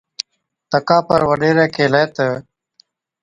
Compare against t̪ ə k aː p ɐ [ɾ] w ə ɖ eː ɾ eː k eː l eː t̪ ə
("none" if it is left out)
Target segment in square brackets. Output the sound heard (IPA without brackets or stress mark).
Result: ɾ